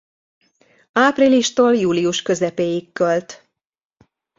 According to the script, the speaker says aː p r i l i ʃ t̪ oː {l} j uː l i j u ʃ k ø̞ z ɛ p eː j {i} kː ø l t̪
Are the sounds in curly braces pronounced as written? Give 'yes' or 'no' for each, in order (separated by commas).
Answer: yes, yes